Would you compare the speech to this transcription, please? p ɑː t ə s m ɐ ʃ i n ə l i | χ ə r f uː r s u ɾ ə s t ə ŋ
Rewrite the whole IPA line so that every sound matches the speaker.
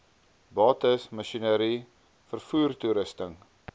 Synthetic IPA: b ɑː t ə s m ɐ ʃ i n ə ɾ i | f ə r f uː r t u ɾ ə s t ə ŋ